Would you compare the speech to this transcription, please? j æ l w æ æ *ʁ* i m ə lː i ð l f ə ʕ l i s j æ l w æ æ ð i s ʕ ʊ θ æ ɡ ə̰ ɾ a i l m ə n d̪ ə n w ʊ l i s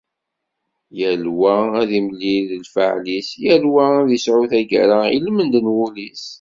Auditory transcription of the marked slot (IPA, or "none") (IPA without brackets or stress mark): ð